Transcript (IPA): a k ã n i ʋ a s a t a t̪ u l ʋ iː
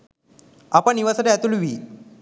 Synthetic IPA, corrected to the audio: a p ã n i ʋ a s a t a t̪ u l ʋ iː